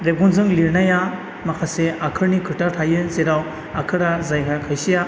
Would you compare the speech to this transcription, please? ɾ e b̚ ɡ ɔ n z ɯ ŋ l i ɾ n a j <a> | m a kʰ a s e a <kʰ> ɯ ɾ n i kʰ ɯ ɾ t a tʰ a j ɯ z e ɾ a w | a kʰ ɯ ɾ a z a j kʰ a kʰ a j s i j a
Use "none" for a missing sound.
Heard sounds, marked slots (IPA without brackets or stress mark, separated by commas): a, kʰ